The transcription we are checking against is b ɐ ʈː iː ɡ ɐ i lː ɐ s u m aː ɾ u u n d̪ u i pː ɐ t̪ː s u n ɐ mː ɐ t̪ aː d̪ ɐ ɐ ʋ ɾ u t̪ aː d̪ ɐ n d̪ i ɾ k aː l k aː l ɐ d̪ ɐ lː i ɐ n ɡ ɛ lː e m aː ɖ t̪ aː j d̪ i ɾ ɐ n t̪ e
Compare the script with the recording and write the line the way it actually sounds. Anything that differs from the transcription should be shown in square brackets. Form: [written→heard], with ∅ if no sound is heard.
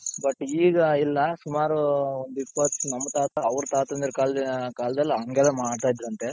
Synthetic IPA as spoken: b ɐ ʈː iː ɡ ɐ i lː ɐ s u m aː ɾ u [u→o] n d̪ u i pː ɐ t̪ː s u n ɐ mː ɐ t̪ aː [d̪→t̪] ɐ ɐ ʋ ɾ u t̪ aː [d̪→t̪] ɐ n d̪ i ɾ k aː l k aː l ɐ d̪ ɐ lː i ɐ [n→ŋ] ɡ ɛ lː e m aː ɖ t̪ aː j d̪ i ɾ ɐ n t̪ e